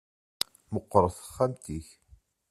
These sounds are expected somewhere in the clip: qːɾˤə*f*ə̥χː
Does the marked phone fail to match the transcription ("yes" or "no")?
yes